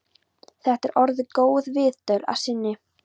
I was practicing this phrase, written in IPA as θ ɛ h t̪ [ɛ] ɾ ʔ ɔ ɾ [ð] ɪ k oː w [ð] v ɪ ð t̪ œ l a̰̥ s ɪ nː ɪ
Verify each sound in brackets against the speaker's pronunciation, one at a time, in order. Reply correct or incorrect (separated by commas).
correct, correct, correct